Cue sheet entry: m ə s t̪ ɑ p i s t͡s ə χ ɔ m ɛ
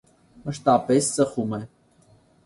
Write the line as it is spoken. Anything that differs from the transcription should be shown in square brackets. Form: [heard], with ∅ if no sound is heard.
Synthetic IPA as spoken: m ə [ʃ] t̪ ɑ p [ɛ] s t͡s ə χ [u] m ɛ